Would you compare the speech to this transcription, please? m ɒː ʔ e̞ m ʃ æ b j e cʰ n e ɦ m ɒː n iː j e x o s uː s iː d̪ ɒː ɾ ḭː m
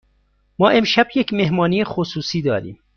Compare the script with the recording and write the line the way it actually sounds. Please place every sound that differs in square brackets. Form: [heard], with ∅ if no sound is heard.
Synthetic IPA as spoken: m ɒː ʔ e̞ m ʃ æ b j e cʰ [m] e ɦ m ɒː n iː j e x o s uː s iː d̪ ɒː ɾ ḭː m

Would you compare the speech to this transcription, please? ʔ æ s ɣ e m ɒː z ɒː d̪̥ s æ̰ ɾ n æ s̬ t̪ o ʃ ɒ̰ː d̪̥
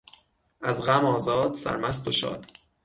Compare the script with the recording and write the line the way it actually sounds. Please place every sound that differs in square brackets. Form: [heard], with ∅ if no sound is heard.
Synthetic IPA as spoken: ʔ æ [z] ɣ [æ] m ɒː z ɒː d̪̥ s æ̰ ɾ [m] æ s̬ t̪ o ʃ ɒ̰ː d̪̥

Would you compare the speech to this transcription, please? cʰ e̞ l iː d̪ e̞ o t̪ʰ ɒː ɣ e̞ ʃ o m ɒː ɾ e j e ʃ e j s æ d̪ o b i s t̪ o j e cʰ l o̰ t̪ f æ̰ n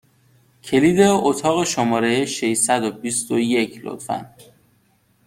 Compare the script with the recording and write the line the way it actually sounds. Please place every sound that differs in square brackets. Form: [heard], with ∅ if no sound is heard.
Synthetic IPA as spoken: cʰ e̞ l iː d̪ e̞ o t̪ʰ ɒː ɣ e̞ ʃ o m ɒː ɾ e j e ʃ e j s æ d̪ o b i s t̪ o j e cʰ l o̰ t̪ f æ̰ n

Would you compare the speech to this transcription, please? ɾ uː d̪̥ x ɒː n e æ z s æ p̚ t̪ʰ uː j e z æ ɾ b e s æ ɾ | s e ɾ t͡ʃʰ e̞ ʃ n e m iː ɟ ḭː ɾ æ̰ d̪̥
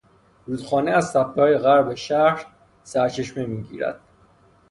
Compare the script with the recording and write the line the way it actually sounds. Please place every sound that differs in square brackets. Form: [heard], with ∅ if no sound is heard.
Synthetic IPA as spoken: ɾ uː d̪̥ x ɒː n e æ z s æ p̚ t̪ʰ [ɒː] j e [ɣ] æ ɾ b e [ʃ] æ ɾ | s [æ] ɾ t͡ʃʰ e̞ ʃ [m] e m iː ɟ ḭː ɾ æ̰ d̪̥

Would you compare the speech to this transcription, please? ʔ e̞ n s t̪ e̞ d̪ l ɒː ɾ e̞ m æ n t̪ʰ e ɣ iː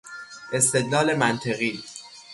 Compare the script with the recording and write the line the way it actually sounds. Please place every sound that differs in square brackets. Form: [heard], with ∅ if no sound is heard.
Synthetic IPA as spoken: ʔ e̞ [∅] s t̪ e̞ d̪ l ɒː [l] e̞ m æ n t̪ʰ e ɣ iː

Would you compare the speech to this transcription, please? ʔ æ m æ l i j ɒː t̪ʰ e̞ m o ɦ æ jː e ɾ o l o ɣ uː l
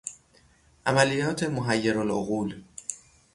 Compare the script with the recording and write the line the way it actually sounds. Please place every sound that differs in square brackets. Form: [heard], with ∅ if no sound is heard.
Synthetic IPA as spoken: ʔ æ m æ l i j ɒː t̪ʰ e̞ m o ɦ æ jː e ɾ o l o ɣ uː l

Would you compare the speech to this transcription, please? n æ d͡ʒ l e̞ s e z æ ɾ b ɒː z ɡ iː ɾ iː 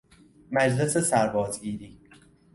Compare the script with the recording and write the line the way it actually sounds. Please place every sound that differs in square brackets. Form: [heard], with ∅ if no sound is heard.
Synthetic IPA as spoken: [m] æ d͡ʒ l e̞ s e [s] æ ɾ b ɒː z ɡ iː ɾ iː

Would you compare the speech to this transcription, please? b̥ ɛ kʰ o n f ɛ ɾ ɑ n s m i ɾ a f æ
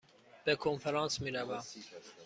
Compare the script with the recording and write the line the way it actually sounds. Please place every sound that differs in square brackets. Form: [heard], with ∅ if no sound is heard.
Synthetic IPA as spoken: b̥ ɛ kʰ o n f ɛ ɾ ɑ n s m i ɾ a [v] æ

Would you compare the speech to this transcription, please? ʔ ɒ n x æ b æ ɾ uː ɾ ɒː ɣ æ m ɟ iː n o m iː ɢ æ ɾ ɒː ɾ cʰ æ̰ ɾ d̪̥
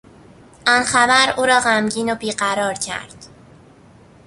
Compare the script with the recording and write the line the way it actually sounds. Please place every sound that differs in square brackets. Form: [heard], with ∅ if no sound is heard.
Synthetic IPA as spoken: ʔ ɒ n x æ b æ ɾ uː ɾ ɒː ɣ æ m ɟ iː n o [b] iː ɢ æ ɾ ɒː ɾ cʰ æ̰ ɾ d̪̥

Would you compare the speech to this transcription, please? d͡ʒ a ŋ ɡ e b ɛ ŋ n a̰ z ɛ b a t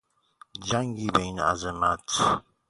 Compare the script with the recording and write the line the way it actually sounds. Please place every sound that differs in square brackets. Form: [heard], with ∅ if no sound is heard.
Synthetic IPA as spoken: d͡ʒ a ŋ ɡ [i] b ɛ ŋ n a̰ z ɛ [m] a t

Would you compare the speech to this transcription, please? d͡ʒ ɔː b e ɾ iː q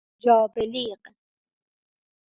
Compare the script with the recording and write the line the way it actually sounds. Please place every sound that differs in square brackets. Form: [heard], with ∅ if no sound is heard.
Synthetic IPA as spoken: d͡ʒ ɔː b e [l] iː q

